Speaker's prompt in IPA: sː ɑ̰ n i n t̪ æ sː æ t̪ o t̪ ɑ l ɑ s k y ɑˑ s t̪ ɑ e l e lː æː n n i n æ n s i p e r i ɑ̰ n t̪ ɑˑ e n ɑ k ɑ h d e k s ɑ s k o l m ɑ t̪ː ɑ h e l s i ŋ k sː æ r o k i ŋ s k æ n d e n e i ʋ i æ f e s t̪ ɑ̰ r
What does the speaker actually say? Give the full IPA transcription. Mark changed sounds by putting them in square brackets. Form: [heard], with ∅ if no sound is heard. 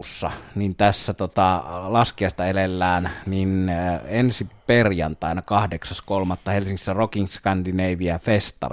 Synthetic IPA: sː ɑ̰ n i n t̪ æ sː æ t̪ o t̪ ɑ l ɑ s k [i] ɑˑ s t̪ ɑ e l e lː æː n n i n [e] n s i p e r [j] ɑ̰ n t̪ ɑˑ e n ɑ k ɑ h d e k s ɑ s k o l m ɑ t̪ː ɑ h e l s i ŋ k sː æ r o k i ŋ s k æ n d [i] n e i ʋ i æ f e s t̪ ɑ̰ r